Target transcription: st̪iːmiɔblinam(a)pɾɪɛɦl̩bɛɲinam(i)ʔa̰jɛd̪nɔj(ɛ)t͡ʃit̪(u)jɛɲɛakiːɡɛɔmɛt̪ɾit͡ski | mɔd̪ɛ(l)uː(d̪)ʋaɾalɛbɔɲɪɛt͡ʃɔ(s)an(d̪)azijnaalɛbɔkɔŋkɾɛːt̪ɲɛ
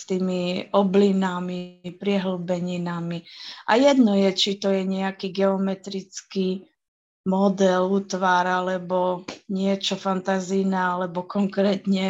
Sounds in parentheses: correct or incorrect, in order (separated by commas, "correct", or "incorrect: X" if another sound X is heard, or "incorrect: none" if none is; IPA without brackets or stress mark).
incorrect: i, correct, correct, incorrect: ɔ, correct, incorrect: t̪, incorrect: f, incorrect: t̪